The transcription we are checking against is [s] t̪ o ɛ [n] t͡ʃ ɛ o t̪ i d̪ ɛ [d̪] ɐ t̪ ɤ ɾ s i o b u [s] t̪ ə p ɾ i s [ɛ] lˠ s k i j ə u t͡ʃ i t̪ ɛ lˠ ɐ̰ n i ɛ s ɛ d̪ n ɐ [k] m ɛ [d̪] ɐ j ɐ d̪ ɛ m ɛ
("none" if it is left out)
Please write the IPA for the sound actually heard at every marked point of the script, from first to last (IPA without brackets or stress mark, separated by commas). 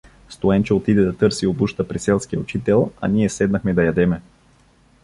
s, n, d̪, ʃ, ɛ, x, d̪